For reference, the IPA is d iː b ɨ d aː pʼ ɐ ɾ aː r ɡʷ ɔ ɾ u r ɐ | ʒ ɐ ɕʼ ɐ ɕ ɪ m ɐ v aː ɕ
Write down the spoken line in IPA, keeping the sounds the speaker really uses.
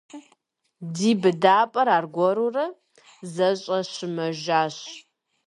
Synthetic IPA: d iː b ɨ d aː pʼ ɐ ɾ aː r ɡʷ ɔ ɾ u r ɐ | z ɐ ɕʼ ɐ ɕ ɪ m ɐ ʒ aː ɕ